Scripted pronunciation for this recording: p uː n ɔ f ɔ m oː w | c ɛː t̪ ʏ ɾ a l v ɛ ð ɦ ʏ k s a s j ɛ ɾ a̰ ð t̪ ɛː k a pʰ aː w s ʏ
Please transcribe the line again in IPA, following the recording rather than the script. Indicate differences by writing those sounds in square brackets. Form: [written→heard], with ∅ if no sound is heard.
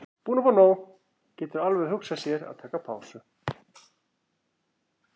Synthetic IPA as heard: p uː n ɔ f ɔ [m→n] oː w | c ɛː t̪ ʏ ɾ a l v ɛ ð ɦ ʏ k s a s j ɛ ɾ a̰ ð [t̪→t̪ʰ] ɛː k a pʰ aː w s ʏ